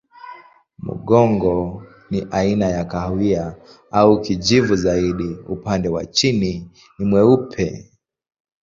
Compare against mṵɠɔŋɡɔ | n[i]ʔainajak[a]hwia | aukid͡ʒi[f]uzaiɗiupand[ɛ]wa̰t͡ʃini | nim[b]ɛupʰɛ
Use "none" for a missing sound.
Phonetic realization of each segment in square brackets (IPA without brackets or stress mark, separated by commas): i, a, v, ɛ, w